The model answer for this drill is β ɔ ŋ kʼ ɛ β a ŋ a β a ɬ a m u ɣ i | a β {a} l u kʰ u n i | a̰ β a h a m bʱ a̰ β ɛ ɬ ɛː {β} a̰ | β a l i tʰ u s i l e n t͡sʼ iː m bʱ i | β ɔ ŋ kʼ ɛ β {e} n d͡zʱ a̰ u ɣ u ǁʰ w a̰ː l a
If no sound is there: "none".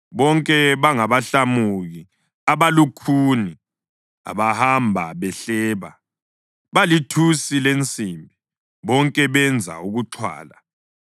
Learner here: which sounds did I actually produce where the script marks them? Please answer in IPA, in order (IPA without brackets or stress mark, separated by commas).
a, β, ɛ